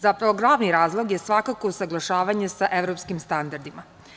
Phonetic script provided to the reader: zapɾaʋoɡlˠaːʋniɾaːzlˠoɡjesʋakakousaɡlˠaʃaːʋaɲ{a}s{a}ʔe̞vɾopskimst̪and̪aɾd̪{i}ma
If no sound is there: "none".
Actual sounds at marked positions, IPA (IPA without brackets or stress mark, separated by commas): e, a, i